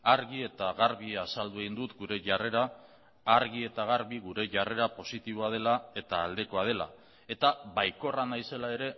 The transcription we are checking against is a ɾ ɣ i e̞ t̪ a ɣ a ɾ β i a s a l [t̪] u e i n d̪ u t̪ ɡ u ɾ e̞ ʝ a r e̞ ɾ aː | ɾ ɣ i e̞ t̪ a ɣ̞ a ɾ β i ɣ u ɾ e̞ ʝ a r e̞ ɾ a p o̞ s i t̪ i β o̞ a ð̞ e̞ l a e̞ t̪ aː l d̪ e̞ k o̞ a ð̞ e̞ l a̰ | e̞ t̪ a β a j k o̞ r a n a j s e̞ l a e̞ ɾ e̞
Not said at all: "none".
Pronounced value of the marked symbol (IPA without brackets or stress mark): d̪